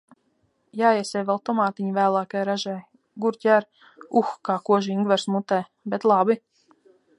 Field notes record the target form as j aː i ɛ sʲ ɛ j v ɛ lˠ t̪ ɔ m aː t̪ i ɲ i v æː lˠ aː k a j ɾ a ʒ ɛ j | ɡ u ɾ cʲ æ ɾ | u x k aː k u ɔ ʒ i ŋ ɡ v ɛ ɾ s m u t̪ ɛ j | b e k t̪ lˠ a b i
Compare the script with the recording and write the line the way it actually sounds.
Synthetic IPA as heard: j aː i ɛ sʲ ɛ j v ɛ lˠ t̪ ɔ m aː t̪ i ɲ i v æː lˠ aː k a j ɾ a ʒ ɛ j | ɡ u ɾ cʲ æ ɾ | u x k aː k u ɔ ʒ i ŋ ɡ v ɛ ɾ s m u t̪ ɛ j | b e t̪ lˠ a b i